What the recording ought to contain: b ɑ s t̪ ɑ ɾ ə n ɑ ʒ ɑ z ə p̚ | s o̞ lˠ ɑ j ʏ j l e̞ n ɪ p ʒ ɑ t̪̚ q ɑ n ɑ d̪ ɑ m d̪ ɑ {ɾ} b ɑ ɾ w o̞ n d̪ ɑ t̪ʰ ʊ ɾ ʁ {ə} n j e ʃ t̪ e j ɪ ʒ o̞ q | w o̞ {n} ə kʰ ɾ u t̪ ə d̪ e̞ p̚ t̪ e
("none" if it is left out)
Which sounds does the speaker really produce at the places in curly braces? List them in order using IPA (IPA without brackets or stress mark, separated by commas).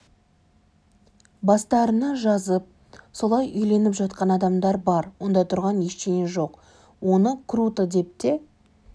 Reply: ɾ, ɑ, n